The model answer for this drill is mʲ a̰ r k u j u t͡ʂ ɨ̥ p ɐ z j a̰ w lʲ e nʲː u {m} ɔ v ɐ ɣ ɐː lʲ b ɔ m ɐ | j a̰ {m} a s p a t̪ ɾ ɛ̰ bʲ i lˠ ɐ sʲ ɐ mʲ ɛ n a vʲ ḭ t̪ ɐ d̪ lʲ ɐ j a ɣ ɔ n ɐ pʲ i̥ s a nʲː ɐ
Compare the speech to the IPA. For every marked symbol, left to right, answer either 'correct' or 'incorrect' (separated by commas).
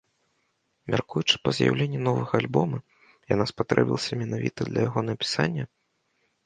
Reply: incorrect, incorrect